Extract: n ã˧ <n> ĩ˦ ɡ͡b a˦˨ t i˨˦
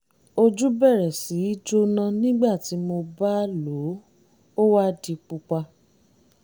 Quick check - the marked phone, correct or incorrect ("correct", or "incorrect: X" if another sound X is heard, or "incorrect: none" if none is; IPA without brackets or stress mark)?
correct